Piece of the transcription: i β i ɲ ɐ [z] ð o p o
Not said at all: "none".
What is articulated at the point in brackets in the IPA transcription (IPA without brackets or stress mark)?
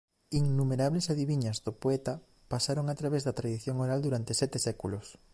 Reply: z